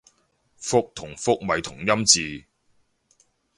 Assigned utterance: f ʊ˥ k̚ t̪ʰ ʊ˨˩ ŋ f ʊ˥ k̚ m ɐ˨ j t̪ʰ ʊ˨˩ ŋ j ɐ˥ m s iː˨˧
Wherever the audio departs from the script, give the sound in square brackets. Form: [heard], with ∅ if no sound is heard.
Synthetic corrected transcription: f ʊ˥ k̚ t̪ʰ ʊ˨˩ ŋ f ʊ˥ k̚ m ɐ˨ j t̪ʰ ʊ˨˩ ŋ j ɐ˥ m [t͡s] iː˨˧